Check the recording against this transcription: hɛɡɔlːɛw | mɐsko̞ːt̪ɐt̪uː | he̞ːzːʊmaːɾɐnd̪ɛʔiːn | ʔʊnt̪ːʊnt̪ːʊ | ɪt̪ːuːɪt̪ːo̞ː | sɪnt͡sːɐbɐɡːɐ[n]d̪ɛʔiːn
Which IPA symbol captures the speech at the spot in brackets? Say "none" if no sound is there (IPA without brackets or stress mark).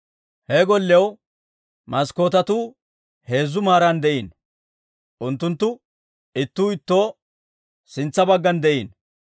n